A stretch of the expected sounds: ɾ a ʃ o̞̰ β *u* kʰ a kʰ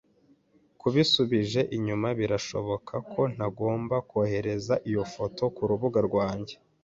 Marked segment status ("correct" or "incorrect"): incorrect